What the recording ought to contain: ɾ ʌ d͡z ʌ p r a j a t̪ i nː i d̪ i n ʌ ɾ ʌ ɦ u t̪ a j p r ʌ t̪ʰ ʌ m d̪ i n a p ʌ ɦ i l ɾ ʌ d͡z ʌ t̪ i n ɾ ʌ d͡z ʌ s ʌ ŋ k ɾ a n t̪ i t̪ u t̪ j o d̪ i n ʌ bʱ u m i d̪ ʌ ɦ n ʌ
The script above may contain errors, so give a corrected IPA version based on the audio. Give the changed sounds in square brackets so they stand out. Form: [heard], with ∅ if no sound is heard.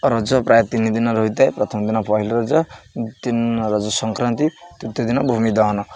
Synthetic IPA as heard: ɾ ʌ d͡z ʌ p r a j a t̪ i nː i d̪ i n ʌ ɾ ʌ ɦ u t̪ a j p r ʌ t̪ʰ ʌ m d̪ i n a p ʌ ɦ i l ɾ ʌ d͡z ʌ t̪ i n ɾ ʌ d͡z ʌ s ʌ ŋ k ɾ a n t̪ i t̪ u t̪ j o d̪ i n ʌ bʱ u m i d̪ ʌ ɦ n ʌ